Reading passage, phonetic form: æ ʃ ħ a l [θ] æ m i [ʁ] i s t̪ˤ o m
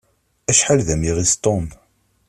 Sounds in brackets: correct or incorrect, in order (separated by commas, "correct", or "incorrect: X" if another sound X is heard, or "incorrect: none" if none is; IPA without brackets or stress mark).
incorrect: ð, correct